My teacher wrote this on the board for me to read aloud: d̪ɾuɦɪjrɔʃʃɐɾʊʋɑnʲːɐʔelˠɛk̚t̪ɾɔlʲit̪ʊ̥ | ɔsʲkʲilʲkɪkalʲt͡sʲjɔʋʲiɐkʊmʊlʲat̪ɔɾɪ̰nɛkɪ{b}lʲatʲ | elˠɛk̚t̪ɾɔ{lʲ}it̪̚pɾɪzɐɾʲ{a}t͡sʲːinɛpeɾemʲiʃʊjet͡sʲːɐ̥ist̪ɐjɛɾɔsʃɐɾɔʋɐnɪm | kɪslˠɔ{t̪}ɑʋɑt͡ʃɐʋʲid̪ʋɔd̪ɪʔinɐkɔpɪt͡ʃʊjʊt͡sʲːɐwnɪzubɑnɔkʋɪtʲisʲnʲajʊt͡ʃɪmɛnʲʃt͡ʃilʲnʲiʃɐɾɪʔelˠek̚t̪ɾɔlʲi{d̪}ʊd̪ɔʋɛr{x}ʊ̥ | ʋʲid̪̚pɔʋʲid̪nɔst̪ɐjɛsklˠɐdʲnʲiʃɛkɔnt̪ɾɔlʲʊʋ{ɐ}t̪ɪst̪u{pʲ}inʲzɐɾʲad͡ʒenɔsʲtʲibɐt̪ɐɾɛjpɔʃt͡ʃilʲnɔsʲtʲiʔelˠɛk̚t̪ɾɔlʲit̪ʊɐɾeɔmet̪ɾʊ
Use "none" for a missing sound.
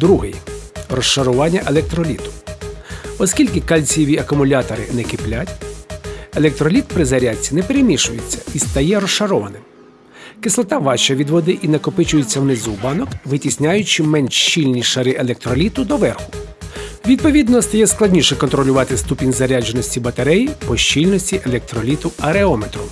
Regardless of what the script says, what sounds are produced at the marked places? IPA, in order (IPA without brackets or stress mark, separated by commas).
p, lʲ, a, t̪, t̪, x, ɑ, pʲ